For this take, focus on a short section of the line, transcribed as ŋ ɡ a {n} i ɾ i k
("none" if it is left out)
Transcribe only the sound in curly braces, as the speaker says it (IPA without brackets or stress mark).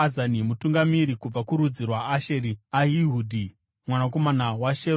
m